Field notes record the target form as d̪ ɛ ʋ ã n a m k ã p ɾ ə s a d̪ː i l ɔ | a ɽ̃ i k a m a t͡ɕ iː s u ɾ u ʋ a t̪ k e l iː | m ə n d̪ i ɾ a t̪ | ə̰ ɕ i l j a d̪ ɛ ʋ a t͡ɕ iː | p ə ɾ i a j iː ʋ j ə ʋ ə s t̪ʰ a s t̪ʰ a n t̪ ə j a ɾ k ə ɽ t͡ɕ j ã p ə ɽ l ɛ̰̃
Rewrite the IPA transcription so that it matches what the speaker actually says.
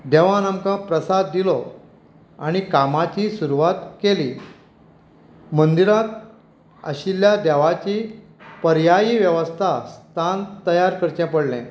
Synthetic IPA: d̪ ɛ ʋ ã n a m k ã p ɾ ə s a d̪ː i l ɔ | a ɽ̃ i k a m a t͡ɕ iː s u ɾ u ʋ a t̪ k e l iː | m ə n d̪ i ɾ a t̪ | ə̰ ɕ i l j a d̪ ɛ ʋ a t͡ɕ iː | p ə ɾ j a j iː ʋ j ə ʋ ə s t̪ʰ a s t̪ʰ a n t̪ ə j a ɾ k ə ɾ t͡ɕ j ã p ə ɽ l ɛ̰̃